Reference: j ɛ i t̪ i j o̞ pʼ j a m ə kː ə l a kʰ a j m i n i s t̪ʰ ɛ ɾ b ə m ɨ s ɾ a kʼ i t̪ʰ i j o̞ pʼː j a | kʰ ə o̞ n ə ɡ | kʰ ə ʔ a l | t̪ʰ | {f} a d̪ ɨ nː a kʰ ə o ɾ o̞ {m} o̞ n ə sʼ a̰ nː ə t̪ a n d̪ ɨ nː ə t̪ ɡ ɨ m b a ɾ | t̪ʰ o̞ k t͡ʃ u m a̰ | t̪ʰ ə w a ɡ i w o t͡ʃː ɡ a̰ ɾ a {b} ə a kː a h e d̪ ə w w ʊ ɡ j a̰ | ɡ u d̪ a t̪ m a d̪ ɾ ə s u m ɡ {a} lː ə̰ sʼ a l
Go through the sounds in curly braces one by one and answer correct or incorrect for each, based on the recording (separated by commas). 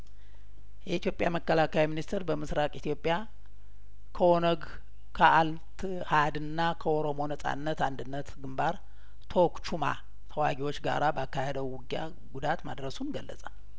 incorrect, correct, correct, incorrect